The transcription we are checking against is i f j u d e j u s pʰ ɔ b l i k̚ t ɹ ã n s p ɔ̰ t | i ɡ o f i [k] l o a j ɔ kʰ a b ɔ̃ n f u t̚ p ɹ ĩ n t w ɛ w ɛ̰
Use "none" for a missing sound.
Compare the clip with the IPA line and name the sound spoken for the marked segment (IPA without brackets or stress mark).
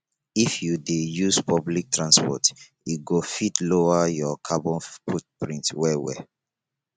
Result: t